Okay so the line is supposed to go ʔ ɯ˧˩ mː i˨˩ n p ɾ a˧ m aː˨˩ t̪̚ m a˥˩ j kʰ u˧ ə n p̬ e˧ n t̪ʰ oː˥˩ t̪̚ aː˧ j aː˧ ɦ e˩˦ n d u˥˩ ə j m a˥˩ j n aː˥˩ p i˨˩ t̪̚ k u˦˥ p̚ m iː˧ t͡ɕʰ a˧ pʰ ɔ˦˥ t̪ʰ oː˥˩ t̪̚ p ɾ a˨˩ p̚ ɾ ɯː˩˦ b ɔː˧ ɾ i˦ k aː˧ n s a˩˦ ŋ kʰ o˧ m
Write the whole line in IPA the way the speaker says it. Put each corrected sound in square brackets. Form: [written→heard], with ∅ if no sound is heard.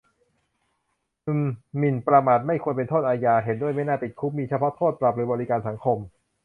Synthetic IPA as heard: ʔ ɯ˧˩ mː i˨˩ n p ɾ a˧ m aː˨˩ t̪̚ m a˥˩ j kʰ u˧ ə n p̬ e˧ n t̪ʰ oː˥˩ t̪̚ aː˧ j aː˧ ɦ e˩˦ n d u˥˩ ə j m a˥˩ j n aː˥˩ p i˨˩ t̪̚ [k→kʰ] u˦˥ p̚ m iː˧ t͡ɕʰ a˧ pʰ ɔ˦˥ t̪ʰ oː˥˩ t̪̚ p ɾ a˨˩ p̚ ɾ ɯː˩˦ b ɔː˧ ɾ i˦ k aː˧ n s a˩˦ ŋ kʰ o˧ m